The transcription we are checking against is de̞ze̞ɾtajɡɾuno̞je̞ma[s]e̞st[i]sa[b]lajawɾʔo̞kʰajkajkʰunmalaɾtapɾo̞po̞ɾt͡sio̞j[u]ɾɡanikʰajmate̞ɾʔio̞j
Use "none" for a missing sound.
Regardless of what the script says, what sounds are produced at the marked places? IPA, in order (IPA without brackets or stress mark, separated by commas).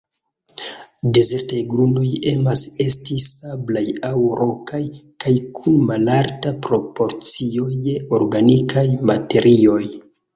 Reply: s, i, b, o